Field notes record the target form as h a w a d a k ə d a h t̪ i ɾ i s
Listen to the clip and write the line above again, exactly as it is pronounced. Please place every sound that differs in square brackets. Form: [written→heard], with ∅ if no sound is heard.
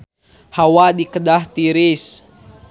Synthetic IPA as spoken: h a w a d [a→i] k ə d a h t̪ i ɾ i s